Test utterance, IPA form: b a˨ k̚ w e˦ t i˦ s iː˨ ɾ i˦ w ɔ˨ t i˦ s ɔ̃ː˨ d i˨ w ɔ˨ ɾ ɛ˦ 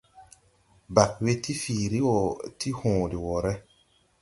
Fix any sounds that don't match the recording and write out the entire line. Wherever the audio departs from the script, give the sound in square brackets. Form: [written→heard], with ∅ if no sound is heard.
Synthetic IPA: b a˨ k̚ w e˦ t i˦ [s→f] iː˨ ɾ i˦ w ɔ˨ t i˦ [s→h] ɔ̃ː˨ d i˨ w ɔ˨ ɾ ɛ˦